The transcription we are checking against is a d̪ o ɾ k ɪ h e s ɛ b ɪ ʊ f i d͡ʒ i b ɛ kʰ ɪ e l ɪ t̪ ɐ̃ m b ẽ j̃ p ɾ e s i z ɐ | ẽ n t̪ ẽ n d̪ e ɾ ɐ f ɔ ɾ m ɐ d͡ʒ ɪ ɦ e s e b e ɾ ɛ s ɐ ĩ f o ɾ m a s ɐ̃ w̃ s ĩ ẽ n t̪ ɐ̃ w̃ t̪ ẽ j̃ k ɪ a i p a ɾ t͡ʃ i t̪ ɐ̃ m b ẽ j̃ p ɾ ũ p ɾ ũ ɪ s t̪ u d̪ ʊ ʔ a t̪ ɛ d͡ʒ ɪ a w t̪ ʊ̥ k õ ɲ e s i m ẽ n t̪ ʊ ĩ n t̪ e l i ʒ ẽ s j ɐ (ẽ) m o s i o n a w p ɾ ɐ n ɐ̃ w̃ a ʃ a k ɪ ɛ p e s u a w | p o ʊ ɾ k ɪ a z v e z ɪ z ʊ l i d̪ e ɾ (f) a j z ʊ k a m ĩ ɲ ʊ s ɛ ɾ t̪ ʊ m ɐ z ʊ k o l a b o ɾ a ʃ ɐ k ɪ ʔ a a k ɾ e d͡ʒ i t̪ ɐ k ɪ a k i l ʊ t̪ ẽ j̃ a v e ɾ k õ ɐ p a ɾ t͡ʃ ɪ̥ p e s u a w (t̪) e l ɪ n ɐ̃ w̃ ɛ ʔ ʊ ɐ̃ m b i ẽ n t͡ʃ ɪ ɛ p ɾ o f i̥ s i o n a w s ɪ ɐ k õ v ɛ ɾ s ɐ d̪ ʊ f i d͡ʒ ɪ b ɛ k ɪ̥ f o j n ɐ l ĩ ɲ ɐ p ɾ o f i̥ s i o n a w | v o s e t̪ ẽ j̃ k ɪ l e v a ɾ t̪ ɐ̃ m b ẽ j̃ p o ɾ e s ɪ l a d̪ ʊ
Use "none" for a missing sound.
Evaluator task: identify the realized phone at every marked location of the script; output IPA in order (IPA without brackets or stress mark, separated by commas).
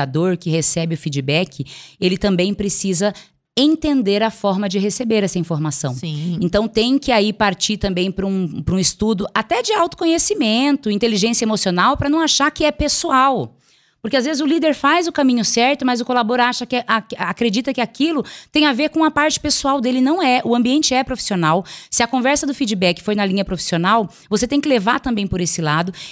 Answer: e, f, d̪